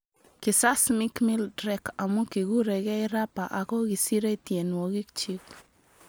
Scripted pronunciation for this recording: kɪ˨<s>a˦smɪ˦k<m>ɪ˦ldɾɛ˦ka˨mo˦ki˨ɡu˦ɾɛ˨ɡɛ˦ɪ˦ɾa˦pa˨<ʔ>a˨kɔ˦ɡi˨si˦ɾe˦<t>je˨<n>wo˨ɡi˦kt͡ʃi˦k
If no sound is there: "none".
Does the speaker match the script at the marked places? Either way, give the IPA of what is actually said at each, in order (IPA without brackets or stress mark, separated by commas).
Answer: s, m, ʔ, t, n